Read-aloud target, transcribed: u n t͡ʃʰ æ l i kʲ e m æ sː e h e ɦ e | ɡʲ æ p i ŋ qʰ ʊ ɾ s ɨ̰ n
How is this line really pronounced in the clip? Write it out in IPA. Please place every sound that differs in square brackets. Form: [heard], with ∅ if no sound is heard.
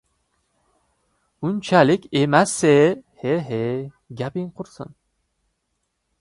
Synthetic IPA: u n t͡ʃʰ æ l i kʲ e m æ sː e h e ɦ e | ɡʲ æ p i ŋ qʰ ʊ ɾ s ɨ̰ n